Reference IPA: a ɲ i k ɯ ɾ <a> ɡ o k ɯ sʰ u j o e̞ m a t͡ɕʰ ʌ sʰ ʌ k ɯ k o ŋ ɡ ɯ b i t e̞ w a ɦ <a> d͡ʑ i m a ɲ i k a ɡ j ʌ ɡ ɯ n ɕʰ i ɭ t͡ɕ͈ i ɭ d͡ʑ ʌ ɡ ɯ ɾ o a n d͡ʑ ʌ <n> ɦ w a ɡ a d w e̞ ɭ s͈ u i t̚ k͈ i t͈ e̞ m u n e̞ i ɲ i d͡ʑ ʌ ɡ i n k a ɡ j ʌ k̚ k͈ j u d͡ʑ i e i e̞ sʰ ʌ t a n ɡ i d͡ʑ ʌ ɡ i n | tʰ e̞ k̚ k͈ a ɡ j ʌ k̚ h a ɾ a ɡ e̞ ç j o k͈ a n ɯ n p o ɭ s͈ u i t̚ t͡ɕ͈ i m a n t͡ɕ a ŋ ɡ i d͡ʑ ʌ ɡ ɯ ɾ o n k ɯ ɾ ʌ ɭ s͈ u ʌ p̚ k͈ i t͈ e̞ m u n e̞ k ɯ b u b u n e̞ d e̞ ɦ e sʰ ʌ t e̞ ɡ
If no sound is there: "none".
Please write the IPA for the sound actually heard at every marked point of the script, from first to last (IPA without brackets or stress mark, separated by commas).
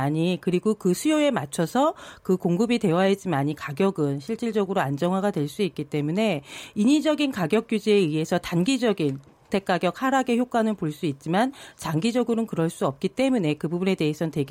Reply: i, e, ŋ